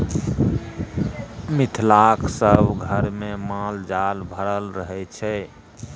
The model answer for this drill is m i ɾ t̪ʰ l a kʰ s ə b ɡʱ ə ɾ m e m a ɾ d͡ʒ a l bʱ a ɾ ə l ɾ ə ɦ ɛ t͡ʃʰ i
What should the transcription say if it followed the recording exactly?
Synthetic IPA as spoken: m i t̪ʰ l a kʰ s ə b ɡʱ ə ɾ m e m a l d͡ʒ a l bʱ ə ɾ ə l ɾ ə ɦ ɛ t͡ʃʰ ɛ

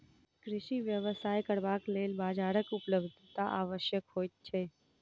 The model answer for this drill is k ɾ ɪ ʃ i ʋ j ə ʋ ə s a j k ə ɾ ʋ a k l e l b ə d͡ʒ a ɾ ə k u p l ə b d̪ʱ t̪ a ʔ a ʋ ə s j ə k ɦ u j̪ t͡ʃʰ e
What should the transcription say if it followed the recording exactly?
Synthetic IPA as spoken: k ɾ ɪ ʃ i ʋ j ə ʋ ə s a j k ə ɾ ʋ a k l e l b a d͡ʒ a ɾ ə k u p l ə b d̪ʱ t̪ a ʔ a ʋ ə ʃ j ə k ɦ o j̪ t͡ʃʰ e

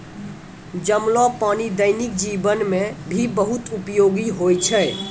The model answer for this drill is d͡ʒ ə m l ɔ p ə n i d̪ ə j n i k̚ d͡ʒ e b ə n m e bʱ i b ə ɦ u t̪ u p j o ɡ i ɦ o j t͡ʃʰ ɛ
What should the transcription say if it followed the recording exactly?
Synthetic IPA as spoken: d͡ʒ ə m l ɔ p a n i d̪ ə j n i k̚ d͡ʒ i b ə n m e bʱ i b ə ɦ u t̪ u p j o ɡ i ɦ o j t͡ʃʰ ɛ

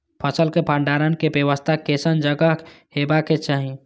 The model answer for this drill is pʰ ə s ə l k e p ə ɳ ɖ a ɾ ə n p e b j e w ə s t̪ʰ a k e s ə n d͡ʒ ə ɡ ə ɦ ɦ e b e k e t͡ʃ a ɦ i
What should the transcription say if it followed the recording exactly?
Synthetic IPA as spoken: pʰ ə s ə l k e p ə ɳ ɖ a ɾ ə n k e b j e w ə s t̪ʰ a k e s ə n d͡ʒ ə ɡ ə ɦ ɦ e b a k e t͡ʃ a ɦ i

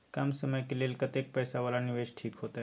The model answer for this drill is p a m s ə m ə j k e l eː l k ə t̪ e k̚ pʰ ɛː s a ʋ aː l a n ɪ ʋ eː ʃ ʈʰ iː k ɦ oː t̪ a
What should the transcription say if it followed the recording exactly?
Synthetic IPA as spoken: k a m s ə m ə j k e l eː l k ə t̪ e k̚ p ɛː s a ʋ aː l a n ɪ ʋ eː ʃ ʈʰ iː k ɦ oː t̪ a

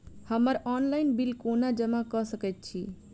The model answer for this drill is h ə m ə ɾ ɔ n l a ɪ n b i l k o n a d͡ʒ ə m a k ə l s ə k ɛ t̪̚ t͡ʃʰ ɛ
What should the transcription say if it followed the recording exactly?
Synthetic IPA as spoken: h ə m ə ɾ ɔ n l a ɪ n b i l k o n a d͡ʒ ə m a k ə s ə k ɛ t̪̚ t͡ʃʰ i

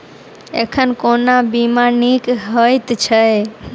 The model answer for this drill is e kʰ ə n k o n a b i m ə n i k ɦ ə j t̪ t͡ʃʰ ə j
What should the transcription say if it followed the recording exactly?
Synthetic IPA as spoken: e kʰ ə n k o n a b i m a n i k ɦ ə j t̪ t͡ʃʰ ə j

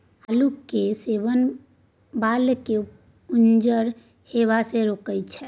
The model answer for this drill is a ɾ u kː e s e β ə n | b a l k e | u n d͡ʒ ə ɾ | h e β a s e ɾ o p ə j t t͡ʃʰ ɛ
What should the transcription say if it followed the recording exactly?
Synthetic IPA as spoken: a l u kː e s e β ə n | b a l k e | u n d͡ʒ ə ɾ | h e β a s e ɾ o k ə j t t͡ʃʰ ɛ

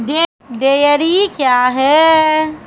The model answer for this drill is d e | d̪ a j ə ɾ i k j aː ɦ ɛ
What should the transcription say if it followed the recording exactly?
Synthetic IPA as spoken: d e | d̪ e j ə ɾ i k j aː ɦ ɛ

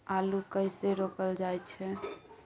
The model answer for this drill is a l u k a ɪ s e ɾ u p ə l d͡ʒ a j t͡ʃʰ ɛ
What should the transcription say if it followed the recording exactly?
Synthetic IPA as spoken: a l u k ə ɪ s e ɾ o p ə l d͡ʒ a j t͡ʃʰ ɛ

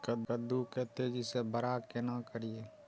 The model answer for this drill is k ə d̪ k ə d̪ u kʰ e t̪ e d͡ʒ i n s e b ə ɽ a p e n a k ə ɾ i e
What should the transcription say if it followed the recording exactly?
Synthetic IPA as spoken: k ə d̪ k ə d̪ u k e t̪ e d͡ʒ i s e b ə ɾ a k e n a k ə ɾ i e

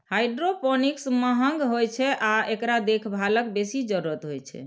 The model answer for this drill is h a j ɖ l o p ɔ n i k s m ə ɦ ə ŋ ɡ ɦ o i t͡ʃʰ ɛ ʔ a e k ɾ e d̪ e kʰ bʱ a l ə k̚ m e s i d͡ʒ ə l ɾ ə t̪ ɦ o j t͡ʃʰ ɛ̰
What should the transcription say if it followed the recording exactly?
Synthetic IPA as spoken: h a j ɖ ɾ o p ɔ n i k s m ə ɦ ə ŋ ɡ ɦ o j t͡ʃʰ ɛ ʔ a e k ɾ a d̪ e kʰ bʱ a l ə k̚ b e s i d͡ʒ ə ɾ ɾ ə t̪ ɦ o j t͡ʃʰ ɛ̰

